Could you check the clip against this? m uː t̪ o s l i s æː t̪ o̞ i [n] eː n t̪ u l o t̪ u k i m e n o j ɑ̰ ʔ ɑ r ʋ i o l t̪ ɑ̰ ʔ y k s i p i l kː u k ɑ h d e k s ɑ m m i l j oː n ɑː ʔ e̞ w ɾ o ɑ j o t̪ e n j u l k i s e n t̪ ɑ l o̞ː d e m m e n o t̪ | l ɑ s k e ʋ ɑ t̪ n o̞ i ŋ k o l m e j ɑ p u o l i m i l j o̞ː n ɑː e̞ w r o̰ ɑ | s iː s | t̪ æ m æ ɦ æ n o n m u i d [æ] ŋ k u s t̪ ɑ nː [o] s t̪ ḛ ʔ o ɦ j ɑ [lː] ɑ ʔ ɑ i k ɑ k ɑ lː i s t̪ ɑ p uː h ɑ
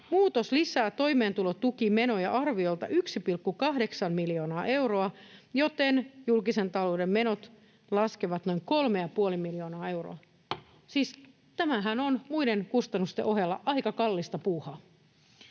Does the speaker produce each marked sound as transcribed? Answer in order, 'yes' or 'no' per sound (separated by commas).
no, no, no, yes